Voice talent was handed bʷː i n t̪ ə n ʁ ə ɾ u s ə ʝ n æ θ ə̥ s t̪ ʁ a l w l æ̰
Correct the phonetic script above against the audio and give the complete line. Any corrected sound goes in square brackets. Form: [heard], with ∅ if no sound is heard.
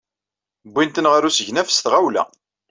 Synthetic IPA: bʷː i n t̪ ə n ʁ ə ɾ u s ə ʝ n æ [f] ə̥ s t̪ ʁ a [∅] w l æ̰